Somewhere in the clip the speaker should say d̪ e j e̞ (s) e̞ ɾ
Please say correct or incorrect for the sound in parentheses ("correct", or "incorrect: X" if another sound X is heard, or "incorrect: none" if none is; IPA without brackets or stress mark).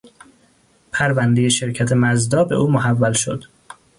incorrect: ʃ